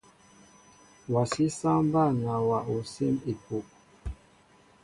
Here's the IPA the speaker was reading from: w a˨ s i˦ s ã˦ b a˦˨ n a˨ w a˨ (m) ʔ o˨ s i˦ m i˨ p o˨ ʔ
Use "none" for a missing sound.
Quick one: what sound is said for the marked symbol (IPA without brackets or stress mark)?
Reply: none